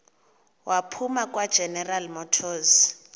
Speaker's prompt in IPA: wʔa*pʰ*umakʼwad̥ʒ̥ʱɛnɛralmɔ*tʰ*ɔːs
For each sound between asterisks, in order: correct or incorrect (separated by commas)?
correct, correct